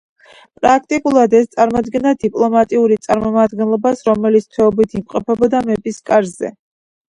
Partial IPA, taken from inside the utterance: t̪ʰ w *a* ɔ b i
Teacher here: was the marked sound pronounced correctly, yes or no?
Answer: no